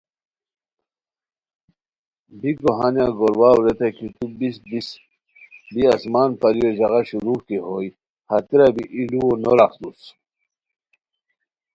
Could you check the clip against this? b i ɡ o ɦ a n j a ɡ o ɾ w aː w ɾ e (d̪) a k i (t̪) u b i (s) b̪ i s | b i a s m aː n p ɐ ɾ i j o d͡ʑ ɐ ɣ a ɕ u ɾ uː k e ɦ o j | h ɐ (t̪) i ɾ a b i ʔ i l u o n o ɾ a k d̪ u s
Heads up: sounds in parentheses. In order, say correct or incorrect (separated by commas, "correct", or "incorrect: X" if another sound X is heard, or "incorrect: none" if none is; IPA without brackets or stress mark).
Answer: incorrect: t̪, correct, correct, correct